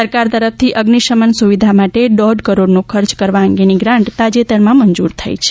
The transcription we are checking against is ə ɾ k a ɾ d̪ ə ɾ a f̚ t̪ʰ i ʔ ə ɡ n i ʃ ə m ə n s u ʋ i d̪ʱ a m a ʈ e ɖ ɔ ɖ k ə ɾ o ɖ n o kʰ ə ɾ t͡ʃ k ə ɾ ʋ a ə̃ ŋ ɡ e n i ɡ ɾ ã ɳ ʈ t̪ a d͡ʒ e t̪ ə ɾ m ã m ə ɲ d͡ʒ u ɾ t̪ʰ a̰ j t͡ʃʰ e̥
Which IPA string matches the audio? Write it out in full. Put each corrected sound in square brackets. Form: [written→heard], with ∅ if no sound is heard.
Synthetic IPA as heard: ə ɾ k a ɾ [d̪→t̪] ə ɾ [a→ə] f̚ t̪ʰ i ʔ ə ɡ n i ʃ ə m ə n s u ʋ i d̪ʱ a m a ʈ e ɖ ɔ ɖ k ə ɾ o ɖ n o kʰ ə ɾ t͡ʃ k ə ɾ ʋ a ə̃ ŋ ɡ e n i ɡ ɾ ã ɳ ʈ t̪ a d͡ʒ e t̪ ə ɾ m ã m ə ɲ d͡ʒ u ɾ t̪ʰ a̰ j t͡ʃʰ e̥

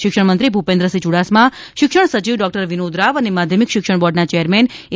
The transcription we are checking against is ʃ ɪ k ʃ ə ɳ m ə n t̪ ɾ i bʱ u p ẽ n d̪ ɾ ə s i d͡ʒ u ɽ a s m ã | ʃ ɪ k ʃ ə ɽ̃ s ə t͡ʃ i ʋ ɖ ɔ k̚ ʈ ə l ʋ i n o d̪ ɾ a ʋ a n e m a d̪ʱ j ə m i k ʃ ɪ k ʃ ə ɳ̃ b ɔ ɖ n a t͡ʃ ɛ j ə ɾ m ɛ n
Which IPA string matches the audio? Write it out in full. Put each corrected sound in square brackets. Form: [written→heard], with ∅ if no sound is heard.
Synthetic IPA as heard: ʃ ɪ k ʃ ə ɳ m ə n t̪ ɾ i bʱ u p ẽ n d̪ ɾ ə s i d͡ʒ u ɽ a s m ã | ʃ ɪ k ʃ ə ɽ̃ s ə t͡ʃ i ʋ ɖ ɔ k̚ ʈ ə [l→ɾ] ʋ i n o d̪ ɾ a ʋ [a→ə] n e m a d̪ʱ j ə m i k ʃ ɪ k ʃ ə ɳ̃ b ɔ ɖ n a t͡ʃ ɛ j ə ɾ m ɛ n

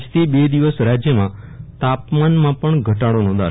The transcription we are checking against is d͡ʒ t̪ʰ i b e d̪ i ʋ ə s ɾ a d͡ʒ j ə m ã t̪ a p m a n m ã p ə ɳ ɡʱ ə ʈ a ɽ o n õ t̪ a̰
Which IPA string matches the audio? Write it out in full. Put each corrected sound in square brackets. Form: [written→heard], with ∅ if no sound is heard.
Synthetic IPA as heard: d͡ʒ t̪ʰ i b e d̪ i ʋ ə s ɾ a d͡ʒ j ə m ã t̪ a p m a n m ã p ə ɳ ɡʱ ə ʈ a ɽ o n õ [t̪→d̪] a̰

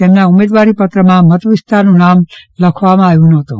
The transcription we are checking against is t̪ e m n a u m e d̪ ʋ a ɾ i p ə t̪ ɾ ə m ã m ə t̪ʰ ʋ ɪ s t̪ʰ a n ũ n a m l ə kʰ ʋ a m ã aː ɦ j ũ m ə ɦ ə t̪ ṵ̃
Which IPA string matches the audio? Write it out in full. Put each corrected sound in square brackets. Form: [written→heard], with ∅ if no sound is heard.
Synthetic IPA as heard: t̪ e m n a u m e d̪ ʋ a ɾ i p ə t̪ ɾ ə m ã m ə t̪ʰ ʋ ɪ s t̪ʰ a n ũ n a m l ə kʰ ʋ a m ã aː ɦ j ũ [m→n] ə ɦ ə t̪ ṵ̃

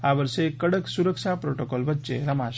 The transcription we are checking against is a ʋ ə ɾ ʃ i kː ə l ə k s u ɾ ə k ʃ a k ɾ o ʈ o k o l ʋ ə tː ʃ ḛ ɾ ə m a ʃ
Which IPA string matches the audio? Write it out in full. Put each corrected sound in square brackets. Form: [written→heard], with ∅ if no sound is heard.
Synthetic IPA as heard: a ʋ ə ɾ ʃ [i→e] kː ə [l→ɽ] ə k s u ɾ ə k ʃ a [k→p] ɾ o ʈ o k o l ʋ ə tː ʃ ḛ ɾ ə m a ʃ

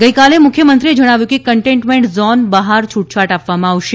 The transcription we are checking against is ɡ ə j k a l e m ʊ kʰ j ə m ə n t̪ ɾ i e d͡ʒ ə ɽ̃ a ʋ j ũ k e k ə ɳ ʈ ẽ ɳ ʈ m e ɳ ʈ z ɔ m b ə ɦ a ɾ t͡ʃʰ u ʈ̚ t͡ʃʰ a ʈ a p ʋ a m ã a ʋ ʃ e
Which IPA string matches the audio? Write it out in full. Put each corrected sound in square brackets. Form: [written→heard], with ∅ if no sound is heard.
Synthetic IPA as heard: ɡ ə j k a l e m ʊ kʰ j ə m ə n t̪ ɾ i e d͡ʒ ə ɽ̃ a ʋ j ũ k e k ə ɳ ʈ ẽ ɳ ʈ m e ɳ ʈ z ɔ [m→n] b ə ɦ a ɾ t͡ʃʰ u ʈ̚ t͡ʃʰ a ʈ a p ʋ a m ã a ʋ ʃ e

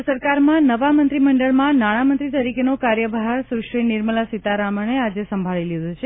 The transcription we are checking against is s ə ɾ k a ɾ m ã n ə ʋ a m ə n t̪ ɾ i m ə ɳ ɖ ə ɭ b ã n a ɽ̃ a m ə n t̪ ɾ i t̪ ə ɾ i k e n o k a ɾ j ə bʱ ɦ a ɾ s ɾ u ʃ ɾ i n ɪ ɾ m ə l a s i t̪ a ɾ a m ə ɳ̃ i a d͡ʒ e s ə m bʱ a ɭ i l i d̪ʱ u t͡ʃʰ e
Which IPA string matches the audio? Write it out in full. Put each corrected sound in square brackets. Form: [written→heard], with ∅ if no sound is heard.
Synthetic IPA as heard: s ə ɾ k a ɾ m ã n ə ʋ a m ə n t̪ ɾ i m ə ɳ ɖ ə ɭ [b→m] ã n a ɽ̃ a m ə n t̪ ɾ i t̪ ə ɾ i k e n o k a ɾ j ə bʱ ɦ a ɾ s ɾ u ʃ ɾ i n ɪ ɾ m ə l a s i t̪ a ɾ a m ə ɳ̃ [i→e] a d͡ʒ e s ə m bʱ a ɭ i l i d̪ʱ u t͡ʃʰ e

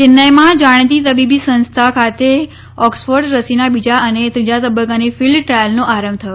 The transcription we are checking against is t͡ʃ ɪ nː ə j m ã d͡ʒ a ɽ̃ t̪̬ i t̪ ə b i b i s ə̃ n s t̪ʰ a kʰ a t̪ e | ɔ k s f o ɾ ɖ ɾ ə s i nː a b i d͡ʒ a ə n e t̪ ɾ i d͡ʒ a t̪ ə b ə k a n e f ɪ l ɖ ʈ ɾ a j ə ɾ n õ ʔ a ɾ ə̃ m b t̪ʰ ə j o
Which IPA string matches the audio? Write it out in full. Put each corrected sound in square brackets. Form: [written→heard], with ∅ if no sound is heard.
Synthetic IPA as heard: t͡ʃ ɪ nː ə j m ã d͡ʒ a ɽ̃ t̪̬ i t̪ ə b i b i s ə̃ n s t̪ʰ a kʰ a t̪ e | ɔ k s f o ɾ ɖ ɾ ə s i [nː→n] a b i d͡ʒ a ə n e t̪ ɾ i d͡ʒ a t̪ ə b ə k a n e f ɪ l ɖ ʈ ɾ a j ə [ɾ→l] n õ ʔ a ɾ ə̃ m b t̪ʰ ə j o

